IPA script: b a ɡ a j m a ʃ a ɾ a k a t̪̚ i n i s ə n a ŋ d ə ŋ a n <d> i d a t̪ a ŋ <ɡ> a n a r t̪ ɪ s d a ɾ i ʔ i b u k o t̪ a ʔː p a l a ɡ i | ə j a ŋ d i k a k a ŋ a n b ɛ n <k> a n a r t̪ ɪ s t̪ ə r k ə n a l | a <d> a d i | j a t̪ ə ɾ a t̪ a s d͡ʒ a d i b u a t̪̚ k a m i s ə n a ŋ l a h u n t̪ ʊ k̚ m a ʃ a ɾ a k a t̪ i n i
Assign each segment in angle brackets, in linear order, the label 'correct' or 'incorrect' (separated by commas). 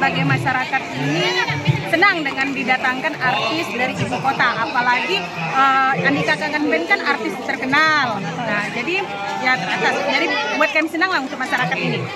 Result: correct, incorrect, correct, incorrect